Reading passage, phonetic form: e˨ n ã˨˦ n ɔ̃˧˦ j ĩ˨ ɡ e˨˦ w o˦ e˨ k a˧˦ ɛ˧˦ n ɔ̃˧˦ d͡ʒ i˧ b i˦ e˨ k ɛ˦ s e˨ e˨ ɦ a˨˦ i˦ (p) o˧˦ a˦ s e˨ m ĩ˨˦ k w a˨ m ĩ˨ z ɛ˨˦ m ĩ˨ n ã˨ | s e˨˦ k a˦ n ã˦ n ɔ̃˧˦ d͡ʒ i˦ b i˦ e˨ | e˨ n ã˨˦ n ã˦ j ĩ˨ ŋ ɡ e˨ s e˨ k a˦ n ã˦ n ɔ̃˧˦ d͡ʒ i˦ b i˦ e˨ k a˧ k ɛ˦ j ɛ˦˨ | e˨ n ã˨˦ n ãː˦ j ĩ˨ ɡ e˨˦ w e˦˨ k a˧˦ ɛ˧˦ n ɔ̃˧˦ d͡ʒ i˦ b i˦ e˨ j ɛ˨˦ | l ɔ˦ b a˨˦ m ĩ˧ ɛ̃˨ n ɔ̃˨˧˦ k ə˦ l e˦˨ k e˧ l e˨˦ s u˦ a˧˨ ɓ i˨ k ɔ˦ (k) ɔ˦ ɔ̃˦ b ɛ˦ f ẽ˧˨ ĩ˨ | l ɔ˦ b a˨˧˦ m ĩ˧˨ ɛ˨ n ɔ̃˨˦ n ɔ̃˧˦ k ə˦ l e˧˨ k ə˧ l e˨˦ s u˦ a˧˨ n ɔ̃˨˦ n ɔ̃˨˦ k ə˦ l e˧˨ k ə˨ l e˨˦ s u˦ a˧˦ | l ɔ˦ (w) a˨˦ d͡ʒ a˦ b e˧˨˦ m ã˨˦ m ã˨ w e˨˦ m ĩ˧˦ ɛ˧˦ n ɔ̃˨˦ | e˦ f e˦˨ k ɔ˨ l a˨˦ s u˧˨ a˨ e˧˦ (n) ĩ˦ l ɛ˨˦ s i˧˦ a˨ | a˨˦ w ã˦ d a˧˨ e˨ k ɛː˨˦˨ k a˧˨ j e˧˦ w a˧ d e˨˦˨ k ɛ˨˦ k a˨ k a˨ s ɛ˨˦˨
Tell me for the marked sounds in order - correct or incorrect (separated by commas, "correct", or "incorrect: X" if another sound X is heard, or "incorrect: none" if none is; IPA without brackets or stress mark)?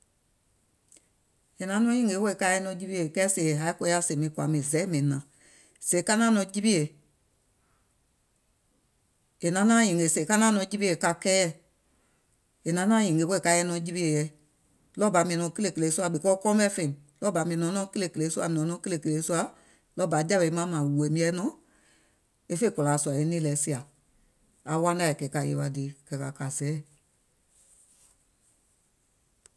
incorrect: k, correct, incorrect: b, correct